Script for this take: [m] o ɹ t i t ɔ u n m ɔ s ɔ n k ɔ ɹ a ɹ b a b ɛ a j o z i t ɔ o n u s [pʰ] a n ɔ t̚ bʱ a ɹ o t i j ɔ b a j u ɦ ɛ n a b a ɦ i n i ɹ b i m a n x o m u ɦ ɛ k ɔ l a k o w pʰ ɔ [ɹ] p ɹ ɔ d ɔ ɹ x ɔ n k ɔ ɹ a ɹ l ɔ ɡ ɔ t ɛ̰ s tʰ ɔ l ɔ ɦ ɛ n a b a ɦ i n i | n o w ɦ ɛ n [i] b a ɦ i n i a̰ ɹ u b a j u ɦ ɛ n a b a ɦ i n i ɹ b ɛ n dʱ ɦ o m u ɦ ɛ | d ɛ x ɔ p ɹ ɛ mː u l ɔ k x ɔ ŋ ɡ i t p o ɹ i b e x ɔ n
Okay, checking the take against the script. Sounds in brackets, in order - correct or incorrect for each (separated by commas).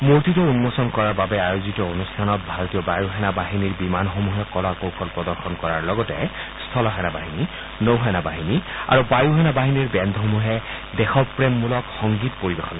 correct, incorrect, incorrect, incorrect